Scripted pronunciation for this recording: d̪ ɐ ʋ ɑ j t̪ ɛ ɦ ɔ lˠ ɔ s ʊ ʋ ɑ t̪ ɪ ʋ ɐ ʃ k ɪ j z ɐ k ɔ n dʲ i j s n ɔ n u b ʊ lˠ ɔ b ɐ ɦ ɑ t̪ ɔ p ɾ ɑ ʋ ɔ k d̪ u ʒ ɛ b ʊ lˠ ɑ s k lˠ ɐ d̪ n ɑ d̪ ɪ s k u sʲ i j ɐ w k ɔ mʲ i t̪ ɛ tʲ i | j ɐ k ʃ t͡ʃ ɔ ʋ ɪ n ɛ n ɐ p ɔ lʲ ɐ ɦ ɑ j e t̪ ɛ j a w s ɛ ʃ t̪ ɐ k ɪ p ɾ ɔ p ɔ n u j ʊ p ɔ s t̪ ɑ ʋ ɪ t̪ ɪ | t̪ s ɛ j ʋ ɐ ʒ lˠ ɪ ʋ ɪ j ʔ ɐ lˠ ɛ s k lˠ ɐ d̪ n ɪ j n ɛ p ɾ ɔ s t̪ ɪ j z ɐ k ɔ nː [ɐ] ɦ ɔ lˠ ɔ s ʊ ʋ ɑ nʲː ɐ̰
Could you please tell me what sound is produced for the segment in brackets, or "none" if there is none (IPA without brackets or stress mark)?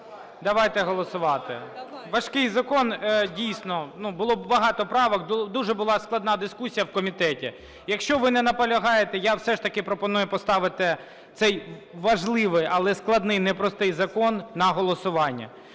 ɐ